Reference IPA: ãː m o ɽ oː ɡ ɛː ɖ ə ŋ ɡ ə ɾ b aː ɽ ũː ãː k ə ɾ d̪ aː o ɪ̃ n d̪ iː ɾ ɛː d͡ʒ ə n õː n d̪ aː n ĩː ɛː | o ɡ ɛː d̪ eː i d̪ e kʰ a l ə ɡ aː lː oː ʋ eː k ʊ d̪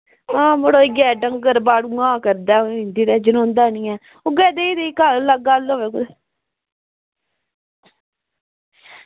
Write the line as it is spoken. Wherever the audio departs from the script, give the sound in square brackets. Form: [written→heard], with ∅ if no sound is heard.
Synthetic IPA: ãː m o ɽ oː ɡ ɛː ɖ ə ŋ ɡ ə ɾ b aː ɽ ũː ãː k ə ɾ d̪ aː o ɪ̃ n d̪ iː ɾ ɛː d͡ʒ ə n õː n d̪ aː n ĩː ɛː | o ɡ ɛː d̪ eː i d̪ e [kʰ→k] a l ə ɡ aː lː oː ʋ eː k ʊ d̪